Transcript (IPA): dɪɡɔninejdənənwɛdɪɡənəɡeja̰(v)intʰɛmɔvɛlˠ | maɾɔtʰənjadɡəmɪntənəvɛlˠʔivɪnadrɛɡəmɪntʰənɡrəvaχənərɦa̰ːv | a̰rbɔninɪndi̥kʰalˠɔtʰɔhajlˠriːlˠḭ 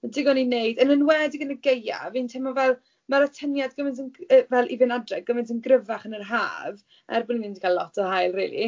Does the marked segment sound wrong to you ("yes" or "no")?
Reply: no